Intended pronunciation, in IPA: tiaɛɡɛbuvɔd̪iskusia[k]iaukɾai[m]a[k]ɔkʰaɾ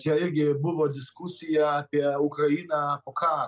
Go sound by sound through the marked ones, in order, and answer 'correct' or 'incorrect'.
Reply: incorrect: p, incorrect: n, incorrect: p

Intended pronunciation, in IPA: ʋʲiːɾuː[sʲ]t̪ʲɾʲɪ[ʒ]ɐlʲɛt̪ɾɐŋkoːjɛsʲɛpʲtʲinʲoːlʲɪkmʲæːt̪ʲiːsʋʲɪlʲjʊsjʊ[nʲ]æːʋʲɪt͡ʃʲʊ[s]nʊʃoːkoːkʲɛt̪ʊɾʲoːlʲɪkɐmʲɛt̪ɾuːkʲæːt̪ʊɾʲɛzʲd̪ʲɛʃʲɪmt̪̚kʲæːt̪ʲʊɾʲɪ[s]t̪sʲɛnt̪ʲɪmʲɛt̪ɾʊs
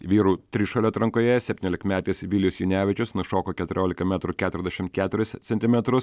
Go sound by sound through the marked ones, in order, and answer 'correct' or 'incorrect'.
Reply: incorrect: none, incorrect: ʃ, correct, correct, correct

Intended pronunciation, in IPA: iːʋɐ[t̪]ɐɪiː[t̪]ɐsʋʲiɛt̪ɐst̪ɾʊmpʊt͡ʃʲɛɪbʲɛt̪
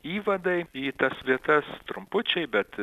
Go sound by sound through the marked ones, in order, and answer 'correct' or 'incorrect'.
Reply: incorrect: d̪, correct

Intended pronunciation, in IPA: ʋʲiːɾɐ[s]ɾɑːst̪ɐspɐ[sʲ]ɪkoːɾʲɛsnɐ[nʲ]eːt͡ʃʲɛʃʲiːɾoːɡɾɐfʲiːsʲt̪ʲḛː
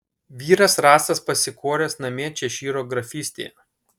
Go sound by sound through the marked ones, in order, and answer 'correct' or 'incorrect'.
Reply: correct, correct, incorrect: mʲ

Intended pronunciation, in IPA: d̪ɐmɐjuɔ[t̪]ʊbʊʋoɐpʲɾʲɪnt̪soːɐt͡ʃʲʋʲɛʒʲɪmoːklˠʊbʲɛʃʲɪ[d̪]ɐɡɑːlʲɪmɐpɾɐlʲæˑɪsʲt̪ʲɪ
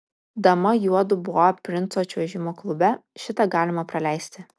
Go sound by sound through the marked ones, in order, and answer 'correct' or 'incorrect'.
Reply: incorrect: d̪, incorrect: t̪

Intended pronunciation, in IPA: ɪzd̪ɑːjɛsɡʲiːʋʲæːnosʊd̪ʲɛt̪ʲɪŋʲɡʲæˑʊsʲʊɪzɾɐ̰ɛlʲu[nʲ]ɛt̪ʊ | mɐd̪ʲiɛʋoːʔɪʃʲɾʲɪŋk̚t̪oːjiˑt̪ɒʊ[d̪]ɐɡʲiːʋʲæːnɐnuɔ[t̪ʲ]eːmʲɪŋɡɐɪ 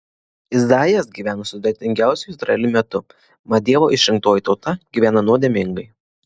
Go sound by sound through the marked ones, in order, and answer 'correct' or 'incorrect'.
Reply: incorrect: mʲ, incorrect: t̪, incorrect: d̪ʲ

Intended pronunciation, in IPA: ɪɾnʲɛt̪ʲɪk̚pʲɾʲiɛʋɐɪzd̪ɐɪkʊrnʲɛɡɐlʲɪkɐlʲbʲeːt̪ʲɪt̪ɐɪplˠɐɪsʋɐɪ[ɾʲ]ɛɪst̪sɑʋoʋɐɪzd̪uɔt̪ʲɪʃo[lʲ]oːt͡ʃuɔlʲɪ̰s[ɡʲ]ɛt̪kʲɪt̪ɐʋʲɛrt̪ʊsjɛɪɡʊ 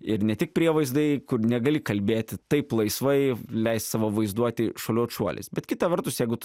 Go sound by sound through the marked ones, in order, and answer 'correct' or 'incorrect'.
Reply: incorrect: lʲ, correct, incorrect: bʲ

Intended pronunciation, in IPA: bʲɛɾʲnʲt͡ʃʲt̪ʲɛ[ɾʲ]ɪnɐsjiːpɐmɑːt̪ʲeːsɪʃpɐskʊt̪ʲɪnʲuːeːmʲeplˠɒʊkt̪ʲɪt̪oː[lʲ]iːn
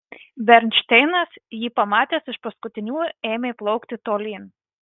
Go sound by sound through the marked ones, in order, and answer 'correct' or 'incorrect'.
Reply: incorrect: none, correct

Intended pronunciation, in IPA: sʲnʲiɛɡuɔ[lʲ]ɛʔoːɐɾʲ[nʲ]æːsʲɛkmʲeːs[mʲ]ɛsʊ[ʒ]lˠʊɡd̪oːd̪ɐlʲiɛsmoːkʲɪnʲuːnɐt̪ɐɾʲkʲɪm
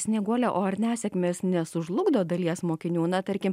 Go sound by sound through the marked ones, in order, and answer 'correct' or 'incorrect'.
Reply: correct, correct, incorrect: nʲ, correct

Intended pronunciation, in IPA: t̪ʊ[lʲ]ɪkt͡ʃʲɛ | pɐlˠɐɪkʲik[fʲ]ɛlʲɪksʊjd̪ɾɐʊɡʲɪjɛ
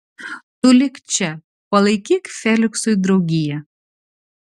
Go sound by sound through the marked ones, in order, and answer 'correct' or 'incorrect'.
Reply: correct, correct

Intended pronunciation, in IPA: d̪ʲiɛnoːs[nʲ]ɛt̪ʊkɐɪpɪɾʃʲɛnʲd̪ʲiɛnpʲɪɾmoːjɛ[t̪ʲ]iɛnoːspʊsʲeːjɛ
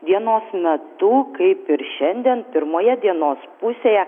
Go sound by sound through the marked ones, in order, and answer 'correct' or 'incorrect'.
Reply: incorrect: mʲ, incorrect: d̪ʲ

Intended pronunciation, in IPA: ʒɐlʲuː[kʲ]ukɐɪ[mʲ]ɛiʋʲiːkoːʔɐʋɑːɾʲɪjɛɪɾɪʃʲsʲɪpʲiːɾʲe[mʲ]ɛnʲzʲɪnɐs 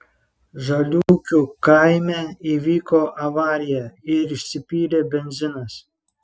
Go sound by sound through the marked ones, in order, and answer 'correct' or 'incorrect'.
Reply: correct, correct, incorrect: bʲ

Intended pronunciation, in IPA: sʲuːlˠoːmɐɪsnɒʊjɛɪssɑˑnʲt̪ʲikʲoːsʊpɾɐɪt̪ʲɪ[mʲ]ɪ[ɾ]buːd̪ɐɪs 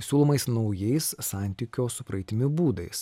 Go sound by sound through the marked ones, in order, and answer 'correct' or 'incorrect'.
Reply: correct, incorrect: none

